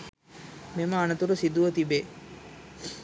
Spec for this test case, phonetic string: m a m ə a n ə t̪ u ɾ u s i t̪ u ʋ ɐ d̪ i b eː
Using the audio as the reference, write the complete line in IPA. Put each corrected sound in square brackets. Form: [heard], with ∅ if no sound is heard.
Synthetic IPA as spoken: m [e] m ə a n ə t̪ u ɾ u s i [d̪] u ʋ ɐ [t̪] i b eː